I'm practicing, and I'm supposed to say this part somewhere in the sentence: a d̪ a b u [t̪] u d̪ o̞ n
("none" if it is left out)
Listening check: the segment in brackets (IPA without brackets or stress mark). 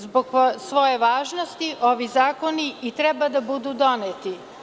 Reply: d̪